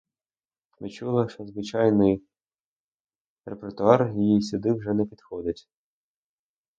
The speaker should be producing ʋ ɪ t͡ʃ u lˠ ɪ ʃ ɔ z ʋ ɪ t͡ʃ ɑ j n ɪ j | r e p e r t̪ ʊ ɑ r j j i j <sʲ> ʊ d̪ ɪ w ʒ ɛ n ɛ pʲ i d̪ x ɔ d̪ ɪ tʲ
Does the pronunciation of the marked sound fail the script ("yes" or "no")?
no